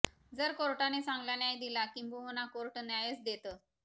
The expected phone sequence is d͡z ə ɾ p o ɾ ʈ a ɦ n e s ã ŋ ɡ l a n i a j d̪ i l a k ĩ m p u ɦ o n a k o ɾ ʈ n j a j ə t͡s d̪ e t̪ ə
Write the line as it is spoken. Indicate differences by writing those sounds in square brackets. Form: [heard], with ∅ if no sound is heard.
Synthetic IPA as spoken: d͡z ə ɾ [k] o ɾ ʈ a [∅] n e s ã ŋ ɡ l a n [j] a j d̪ i l a k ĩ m [b] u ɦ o n a k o ɾ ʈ n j a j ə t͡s d̪ e t̪ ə